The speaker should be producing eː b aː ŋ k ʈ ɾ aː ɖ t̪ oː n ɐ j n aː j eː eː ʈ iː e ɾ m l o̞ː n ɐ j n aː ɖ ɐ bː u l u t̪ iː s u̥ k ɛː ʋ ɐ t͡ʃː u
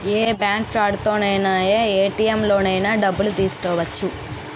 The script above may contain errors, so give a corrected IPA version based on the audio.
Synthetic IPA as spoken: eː b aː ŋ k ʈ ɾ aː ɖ t̪ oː n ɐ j n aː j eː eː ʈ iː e m l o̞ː n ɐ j n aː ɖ ɐ bː u l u t̪ iː s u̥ k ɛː ʋ ɐ t͡ʃː u

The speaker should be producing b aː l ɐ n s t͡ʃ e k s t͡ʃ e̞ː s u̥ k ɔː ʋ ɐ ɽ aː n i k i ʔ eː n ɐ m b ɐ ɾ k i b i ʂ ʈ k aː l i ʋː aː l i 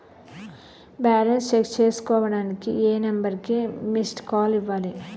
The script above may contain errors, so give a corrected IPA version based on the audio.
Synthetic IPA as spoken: b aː l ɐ n s t͡ʃ e k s t͡ʃ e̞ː s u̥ k ɔː ʋ ɐ ɽ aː n i k i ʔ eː n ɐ m b ɐ ɾ k i m i s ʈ k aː l i ʋː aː l i

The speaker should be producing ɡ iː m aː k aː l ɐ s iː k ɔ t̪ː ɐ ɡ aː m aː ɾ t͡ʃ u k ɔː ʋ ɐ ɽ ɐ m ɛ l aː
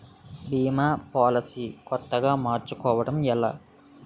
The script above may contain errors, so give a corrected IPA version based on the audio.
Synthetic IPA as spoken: b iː m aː p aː l ɐ s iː k ɔ t̪ː ɐ ɡ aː m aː ɾ t͡ʃ u k ɔː ʋ ɐ ɽ ɐ m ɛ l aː

